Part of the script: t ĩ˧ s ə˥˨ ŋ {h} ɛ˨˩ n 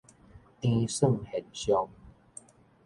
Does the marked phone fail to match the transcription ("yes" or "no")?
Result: no